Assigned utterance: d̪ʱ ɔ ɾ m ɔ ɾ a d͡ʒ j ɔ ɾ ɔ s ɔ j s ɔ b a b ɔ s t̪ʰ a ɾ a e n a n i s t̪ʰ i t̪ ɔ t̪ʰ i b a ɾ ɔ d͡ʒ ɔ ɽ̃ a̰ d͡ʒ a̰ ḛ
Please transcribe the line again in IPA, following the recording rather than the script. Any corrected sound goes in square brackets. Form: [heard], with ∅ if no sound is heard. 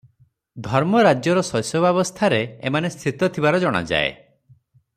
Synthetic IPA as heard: d̪ʱ ɔ ɾ m ɔ ɾ a d͡ʒ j ɔ ɾ ɔ s ɔ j s ɔ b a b ɔ s t̪ʰ a ɾ [e] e [m] a n [e] s t̪ʰ i t̪ ɔ t̪ʰ i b a ɾ ɔ d͡ʒ ɔ ɽ̃ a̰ d͡ʒ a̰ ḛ

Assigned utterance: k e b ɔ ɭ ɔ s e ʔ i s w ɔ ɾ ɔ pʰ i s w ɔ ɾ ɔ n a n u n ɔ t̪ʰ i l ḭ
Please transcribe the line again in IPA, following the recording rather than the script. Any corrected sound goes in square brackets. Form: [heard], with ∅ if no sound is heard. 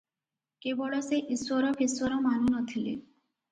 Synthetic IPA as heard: k e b ɔ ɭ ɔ s e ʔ i s w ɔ ɾ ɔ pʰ i s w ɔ ɾ ɔ [m] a n u n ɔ t̪ʰ i l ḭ

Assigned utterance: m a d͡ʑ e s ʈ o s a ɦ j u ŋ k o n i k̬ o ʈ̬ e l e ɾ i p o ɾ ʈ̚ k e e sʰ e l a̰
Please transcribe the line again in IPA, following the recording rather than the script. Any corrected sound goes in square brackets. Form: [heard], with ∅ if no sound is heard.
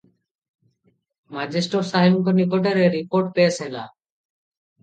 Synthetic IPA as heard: m a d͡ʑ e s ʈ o s a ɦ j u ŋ k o n i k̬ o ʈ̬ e [ɾ] e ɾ i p o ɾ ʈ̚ [p] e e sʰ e l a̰

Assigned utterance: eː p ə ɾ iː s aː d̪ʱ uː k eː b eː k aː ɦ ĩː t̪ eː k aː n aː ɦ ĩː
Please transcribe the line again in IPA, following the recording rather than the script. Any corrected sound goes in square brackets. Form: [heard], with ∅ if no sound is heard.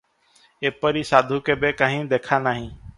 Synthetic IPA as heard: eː p ə ɾ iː s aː d̪ʱ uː k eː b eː k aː ɦ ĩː [d̪] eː [kʰ] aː n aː ɦ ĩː

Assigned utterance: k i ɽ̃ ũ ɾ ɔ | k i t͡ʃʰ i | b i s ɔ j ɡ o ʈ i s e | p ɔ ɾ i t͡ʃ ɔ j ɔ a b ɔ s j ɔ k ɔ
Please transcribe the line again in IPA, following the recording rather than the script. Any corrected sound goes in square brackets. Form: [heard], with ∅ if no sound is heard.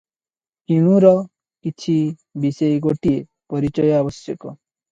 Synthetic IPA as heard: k i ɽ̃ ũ ɾ ɔ | k i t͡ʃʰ i | b i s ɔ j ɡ o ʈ i [∅] e | p ɔ ɾ i t͡ʃ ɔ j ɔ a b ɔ s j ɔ k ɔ

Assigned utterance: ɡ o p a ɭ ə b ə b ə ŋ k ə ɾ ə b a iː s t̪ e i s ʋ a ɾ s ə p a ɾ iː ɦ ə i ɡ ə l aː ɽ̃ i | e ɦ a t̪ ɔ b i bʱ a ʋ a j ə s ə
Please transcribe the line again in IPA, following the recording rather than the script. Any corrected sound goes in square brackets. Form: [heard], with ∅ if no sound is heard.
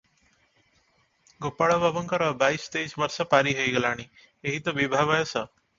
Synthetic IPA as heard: ɡ o p a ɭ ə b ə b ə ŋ k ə ɾ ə b a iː s t̪ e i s ʋ [ə] ɾ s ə p a ɾ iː ɦ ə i ɡ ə l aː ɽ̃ i | e ɦ [i] t̪ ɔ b i bʱ a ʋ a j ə s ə

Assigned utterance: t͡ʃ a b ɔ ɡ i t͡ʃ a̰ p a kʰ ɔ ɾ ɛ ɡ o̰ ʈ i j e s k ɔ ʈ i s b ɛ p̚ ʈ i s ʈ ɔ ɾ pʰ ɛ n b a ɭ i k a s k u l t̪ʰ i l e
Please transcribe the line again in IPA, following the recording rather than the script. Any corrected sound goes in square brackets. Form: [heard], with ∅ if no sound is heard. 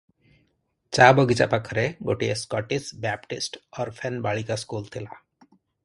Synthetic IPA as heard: t͡ʃ a b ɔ ɡ i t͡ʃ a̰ p a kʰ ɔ ɾ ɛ ɡ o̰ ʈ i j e s k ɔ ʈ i s b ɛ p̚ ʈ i s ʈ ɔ ɾ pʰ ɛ n b a ɭ i k a s k u l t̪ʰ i l [a]

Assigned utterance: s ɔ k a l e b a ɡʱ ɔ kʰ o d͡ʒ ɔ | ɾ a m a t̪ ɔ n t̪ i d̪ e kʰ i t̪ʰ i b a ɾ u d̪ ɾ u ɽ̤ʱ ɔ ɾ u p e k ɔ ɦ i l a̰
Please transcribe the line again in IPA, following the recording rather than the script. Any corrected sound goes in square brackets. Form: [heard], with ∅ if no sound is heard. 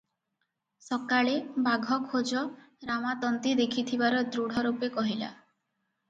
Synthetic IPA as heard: s ɔ k a [ɭ] e b a ɡʱ ɔ kʰ o d͡ʒ ɔ | ɾ a m a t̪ ɔ n t̪ i d̪ e kʰ i t̪ʰ i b a ɾ [ɔ] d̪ ɾ u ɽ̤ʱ ɔ ɾ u p e k ɔ ɦ i l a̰

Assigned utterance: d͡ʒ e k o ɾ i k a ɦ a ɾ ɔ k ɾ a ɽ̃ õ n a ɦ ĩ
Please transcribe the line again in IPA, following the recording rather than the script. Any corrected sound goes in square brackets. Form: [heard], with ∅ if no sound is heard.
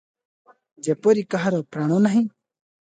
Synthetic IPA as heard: d͡ʒ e [p] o ɾ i k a ɦ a ɾ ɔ [p] ɾ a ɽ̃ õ n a ɦ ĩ

